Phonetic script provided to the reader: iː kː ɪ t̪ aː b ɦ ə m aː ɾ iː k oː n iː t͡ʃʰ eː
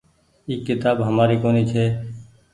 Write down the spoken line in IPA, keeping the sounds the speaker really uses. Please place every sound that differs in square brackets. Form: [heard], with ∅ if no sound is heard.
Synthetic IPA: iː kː ɪ t̪ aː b ɦ ə m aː ɾ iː k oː n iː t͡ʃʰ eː